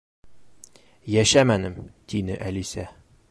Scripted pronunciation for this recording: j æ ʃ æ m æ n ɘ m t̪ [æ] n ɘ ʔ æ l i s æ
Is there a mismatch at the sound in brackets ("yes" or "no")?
yes